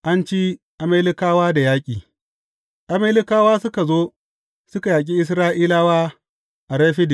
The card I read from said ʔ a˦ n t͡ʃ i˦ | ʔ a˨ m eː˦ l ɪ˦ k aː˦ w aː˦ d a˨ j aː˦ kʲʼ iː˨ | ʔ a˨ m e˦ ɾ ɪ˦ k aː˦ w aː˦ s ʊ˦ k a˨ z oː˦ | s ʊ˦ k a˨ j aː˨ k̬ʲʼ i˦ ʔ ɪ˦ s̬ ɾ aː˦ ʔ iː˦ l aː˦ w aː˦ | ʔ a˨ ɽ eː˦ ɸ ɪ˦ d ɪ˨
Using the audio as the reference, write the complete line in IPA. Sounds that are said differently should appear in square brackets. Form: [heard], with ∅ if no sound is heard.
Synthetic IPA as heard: ʔ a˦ n t͡ʃ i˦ | ʔ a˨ m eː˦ l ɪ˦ k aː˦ w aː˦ d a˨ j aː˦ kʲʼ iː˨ | ʔ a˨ m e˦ [l] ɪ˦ k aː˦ w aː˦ s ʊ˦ k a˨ z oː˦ | s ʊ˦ k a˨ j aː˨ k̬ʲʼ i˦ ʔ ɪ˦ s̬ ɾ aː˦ ʔ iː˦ l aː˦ w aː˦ | ʔ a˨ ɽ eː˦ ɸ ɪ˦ d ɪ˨